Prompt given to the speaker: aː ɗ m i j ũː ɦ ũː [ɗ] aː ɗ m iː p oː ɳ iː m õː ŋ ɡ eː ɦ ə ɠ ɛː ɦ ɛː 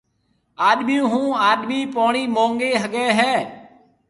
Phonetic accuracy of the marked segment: incorrect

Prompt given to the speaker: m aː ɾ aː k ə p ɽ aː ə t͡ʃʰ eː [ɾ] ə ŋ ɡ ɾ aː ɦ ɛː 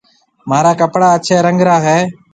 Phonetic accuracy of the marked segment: correct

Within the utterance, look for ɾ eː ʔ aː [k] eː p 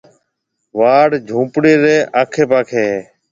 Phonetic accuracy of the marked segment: incorrect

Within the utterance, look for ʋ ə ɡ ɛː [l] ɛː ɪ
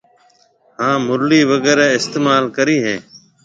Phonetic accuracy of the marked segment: incorrect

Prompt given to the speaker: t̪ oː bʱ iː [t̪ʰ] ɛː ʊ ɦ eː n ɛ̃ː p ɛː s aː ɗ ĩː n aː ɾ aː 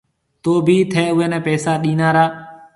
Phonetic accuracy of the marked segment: correct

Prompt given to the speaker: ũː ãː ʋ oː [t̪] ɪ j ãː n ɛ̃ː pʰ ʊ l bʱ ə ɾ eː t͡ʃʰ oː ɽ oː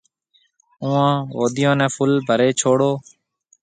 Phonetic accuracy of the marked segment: incorrect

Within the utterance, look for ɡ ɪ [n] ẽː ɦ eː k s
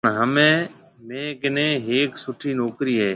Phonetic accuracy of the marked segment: correct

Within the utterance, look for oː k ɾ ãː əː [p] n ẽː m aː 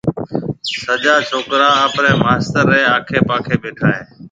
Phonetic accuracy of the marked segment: correct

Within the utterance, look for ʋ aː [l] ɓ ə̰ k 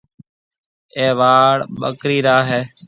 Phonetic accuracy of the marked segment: incorrect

